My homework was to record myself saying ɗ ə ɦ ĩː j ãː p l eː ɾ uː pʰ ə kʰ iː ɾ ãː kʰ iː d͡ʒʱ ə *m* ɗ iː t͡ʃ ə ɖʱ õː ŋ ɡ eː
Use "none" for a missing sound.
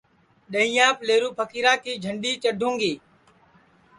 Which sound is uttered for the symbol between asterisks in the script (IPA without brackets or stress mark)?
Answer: ɳ